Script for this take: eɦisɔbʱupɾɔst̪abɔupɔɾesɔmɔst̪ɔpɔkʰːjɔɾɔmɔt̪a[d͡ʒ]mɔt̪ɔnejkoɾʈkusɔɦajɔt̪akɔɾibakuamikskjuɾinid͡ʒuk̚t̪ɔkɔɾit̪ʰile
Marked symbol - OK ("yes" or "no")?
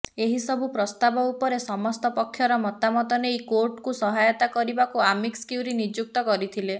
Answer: no